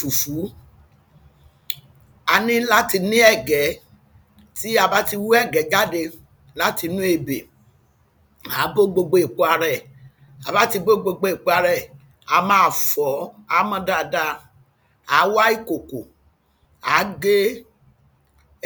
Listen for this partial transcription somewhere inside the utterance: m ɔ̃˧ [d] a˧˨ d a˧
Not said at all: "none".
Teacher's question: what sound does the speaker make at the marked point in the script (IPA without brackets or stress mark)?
d